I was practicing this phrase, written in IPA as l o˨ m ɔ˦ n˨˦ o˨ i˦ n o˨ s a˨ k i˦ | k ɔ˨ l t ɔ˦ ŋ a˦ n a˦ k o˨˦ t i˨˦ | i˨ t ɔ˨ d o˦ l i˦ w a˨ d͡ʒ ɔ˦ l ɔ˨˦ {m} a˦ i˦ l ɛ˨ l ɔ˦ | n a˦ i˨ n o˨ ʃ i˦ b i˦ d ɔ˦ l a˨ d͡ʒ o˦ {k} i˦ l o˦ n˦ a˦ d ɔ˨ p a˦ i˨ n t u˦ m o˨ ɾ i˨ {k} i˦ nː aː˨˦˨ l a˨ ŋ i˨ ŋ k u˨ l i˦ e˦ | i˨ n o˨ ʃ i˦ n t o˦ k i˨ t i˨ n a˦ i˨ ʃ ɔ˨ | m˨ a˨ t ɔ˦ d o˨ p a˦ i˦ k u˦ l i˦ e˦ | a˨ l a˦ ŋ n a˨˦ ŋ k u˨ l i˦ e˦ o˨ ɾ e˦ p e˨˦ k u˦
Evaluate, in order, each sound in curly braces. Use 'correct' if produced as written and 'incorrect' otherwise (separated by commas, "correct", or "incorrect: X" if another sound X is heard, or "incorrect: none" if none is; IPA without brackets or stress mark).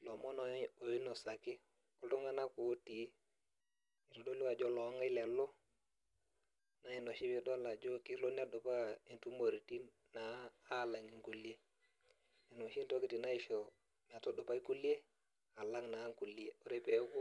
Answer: incorrect: ŋ, correct, incorrect: t